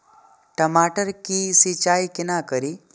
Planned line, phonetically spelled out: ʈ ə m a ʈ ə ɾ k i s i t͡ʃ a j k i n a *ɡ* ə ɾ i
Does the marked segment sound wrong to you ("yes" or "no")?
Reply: yes